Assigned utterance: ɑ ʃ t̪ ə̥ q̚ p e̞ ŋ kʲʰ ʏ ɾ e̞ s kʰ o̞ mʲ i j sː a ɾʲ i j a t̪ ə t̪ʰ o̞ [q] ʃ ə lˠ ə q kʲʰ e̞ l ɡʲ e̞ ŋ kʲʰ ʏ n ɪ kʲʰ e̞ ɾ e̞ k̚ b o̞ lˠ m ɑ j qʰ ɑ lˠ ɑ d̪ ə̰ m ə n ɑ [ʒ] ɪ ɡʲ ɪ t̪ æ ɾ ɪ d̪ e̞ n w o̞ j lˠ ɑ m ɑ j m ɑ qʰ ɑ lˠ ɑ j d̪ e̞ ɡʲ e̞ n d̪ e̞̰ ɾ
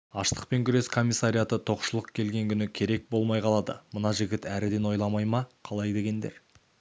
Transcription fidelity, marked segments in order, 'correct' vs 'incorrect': correct, correct

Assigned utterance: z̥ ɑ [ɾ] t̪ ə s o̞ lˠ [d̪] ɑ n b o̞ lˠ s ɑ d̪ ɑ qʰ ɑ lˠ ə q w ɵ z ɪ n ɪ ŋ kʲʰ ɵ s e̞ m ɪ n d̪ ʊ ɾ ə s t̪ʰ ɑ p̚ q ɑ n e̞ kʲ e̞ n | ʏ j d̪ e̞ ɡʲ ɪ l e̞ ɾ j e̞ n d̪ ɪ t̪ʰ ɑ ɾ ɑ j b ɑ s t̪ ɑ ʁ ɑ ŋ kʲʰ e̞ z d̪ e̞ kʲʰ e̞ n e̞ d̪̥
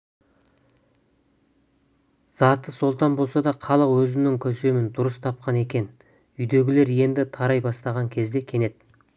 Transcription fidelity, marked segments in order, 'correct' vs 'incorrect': incorrect, incorrect

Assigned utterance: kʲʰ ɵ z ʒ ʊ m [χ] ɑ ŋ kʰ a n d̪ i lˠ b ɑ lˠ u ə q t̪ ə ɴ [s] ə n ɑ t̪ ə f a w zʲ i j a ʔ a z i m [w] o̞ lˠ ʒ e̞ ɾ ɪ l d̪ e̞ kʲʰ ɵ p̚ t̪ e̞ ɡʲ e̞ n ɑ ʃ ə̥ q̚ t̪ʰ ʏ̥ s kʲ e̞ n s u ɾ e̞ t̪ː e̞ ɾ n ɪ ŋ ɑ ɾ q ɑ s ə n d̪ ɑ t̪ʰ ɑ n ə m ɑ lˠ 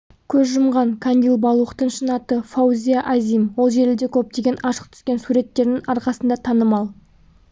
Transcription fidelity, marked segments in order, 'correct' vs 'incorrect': incorrect, incorrect, correct

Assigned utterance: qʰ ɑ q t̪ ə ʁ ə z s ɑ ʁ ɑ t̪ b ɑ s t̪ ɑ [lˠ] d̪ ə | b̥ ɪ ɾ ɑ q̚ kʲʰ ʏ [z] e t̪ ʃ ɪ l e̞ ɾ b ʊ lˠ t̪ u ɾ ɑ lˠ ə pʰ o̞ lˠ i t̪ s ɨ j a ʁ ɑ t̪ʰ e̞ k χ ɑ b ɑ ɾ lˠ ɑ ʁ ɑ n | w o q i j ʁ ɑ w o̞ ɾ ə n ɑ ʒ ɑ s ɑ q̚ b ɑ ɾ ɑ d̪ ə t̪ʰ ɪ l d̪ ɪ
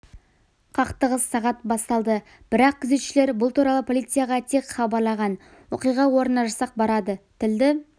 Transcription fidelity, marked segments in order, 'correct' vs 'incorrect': correct, correct

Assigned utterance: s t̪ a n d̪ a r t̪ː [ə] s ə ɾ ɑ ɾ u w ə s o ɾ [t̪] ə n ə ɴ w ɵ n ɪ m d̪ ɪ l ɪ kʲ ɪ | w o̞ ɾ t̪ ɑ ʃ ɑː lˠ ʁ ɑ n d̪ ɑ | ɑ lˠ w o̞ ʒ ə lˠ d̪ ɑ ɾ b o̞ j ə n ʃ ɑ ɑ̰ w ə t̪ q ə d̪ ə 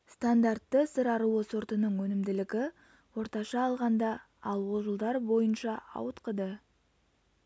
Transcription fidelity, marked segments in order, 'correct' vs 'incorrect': correct, correct

